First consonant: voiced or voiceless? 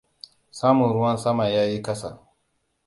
voiceless